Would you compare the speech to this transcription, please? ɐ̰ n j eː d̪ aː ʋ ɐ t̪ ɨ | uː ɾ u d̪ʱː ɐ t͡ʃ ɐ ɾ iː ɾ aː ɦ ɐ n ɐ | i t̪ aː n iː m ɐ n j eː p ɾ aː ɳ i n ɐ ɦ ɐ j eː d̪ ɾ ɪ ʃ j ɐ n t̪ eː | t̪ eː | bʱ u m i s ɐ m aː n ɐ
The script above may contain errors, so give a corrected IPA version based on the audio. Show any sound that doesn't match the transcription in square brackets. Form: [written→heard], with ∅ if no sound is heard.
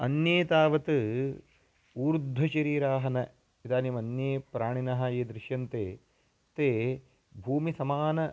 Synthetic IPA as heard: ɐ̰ n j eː [d̪→t̪] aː ʋ ɐ t̪ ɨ | uː ɾ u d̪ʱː ɐ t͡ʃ ɐ ɾ iː ɾ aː ɦ ɐ n ɐ | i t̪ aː n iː m ɐ n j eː p ɾ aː ɳ i n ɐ ɦ ɐ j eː d̪ ɾ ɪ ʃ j ɐ n t̪ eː | t̪ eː | bʱ [u→uː] m i s ɐ m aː n ɐ